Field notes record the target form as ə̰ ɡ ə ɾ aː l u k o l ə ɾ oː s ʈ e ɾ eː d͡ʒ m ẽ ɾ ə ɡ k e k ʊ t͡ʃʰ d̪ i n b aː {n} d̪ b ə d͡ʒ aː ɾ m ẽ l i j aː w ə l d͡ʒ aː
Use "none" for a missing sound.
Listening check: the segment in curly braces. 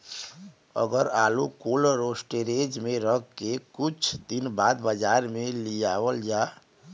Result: none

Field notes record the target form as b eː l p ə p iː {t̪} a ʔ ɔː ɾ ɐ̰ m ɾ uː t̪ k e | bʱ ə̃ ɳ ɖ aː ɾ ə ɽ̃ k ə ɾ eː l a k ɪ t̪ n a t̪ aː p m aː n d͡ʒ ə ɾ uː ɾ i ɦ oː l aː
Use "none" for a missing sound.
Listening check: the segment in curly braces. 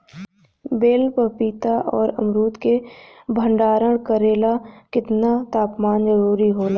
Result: t̪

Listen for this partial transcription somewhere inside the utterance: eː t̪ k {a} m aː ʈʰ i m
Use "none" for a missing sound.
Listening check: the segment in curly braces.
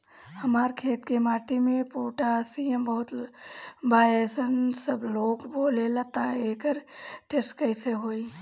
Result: e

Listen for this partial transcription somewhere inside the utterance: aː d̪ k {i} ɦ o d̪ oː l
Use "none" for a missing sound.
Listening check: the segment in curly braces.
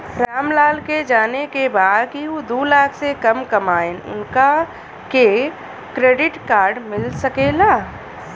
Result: i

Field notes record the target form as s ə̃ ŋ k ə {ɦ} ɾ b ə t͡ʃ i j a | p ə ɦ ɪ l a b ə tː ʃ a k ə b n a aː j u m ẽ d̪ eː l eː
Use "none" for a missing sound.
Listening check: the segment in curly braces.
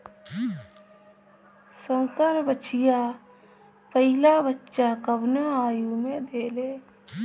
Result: none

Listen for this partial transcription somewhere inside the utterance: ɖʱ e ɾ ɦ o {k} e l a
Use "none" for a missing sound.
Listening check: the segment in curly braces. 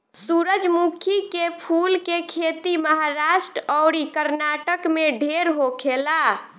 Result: kʰ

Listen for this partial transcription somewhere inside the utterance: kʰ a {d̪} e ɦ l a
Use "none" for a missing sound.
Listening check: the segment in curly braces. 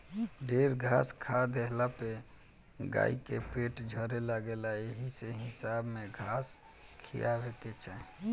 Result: d̪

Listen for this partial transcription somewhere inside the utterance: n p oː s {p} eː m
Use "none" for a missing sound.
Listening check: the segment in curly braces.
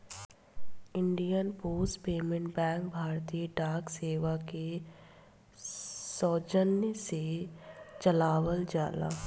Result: p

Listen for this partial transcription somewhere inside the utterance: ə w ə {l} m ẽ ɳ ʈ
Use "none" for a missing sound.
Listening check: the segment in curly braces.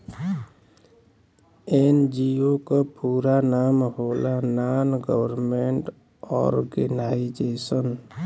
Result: ɾ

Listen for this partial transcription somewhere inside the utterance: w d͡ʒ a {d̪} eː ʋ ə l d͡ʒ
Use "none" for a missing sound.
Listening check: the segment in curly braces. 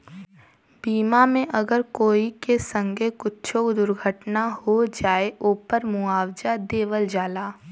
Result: d̪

